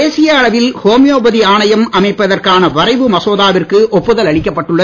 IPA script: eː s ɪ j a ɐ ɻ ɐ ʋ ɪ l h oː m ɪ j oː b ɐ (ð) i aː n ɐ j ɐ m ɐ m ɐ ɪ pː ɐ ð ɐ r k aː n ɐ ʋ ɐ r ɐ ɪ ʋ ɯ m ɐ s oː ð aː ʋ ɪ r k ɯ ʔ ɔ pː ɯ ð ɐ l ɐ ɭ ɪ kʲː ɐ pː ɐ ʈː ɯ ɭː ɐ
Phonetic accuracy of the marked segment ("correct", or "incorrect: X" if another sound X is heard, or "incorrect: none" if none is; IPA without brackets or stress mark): correct